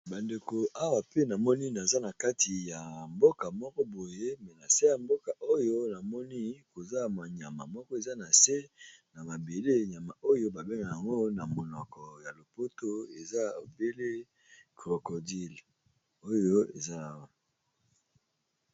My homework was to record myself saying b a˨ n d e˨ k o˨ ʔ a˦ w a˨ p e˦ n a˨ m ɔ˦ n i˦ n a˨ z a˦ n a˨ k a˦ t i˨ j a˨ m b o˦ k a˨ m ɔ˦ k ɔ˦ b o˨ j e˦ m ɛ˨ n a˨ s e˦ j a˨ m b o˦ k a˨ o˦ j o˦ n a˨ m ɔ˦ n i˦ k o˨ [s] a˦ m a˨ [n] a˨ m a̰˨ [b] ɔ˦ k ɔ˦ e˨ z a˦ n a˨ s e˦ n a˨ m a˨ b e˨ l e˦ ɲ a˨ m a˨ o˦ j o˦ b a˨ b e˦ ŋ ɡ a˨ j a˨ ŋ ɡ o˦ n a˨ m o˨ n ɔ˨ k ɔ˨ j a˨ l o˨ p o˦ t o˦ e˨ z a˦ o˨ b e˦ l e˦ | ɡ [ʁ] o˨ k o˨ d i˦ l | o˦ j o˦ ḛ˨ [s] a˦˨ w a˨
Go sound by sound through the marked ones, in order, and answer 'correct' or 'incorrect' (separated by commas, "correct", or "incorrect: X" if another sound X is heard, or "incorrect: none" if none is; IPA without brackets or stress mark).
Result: incorrect: z, incorrect: ɲ, incorrect: m, correct, incorrect: z